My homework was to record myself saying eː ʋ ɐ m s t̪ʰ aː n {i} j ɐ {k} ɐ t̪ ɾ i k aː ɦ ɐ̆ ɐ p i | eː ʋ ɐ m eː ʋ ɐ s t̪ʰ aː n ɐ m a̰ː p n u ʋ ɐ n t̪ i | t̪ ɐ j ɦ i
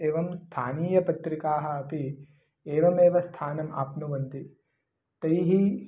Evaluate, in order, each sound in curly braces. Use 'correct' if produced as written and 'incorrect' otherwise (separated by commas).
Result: incorrect, incorrect